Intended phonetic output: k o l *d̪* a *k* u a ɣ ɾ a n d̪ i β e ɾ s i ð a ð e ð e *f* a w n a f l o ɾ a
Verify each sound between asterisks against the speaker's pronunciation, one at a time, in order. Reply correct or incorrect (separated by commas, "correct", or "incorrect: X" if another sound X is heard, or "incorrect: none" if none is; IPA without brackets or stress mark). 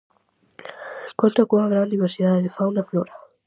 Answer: incorrect: t̪, correct, correct